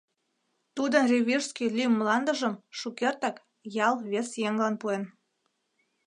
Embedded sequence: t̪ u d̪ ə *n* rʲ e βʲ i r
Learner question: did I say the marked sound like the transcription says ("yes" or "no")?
yes